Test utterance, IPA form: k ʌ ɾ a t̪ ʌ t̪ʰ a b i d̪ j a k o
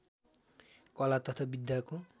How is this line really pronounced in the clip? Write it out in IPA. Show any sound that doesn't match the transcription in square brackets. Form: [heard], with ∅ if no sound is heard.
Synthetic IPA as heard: k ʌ [l] a t̪ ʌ t̪ʰ a b i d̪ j a k o